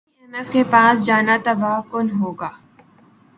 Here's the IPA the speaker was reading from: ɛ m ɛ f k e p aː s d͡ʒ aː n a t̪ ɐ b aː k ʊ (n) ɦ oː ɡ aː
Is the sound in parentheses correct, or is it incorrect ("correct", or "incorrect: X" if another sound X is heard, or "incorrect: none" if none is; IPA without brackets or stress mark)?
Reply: correct